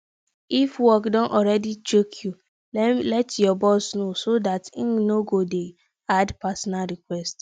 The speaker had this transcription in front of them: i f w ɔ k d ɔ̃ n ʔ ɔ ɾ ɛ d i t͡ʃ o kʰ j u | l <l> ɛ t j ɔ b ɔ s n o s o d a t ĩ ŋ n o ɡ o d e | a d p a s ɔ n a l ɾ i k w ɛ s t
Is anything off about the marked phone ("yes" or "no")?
no